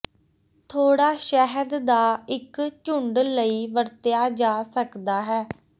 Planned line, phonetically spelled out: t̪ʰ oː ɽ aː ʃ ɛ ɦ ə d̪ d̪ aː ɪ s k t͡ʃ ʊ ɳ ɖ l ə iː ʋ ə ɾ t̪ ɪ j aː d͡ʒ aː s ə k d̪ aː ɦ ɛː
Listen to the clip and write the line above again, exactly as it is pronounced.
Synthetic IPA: t̪ʰ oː ɽ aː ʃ ɛ ɦ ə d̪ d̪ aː ɪ k t͡ʃ ʊ ɳ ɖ l ə iː ʋ ə ɾ t̪ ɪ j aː d͡ʒ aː s ə k d̪ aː ɦ ɛː